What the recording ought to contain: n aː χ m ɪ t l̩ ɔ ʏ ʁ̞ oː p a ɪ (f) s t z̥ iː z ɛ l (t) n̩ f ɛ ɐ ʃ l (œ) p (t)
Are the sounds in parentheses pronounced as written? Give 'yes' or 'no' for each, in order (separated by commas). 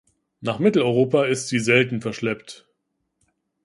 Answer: no, yes, no, yes